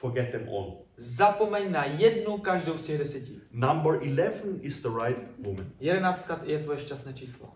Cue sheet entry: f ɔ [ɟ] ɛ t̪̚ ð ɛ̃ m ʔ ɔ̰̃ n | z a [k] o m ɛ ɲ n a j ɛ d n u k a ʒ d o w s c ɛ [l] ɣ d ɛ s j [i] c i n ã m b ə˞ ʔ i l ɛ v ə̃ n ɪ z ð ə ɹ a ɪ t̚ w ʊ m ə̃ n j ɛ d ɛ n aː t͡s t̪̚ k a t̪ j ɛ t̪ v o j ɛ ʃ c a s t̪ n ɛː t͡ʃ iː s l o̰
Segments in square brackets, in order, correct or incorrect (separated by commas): incorrect, incorrect, incorrect, incorrect